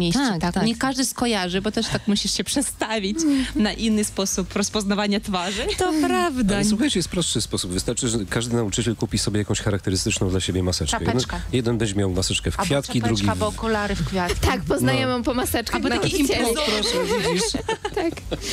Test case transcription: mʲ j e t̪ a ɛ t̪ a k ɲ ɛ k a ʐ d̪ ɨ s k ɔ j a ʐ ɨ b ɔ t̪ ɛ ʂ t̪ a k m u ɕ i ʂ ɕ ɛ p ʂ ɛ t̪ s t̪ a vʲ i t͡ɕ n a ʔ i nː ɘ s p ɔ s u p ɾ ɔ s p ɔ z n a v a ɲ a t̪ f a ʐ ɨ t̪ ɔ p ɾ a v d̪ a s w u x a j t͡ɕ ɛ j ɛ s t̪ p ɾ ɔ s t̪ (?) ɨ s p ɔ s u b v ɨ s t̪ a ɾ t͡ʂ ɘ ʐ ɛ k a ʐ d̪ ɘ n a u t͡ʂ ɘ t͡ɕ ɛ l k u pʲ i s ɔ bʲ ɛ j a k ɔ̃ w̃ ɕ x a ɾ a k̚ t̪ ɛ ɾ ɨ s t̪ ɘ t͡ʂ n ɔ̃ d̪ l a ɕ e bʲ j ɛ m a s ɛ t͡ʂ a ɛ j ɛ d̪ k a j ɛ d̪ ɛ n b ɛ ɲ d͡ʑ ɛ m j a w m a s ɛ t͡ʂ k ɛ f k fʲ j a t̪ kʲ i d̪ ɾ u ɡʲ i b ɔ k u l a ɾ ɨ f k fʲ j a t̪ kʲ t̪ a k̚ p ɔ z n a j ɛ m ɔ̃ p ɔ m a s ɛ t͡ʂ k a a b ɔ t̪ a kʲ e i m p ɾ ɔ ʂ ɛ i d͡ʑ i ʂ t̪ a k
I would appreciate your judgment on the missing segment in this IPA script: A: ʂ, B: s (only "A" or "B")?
A